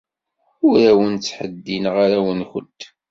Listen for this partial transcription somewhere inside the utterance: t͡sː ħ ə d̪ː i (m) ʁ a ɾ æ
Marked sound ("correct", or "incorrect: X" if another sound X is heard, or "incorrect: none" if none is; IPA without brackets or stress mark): incorrect: n